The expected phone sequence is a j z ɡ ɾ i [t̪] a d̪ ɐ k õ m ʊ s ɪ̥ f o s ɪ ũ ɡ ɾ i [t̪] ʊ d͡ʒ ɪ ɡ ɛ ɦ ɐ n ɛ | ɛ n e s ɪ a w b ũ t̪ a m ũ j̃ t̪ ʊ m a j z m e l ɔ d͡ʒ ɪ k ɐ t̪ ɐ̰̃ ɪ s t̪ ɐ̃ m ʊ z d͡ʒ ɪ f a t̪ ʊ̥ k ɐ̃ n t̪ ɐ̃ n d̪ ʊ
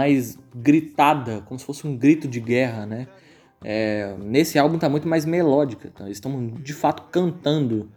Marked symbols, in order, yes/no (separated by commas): yes, yes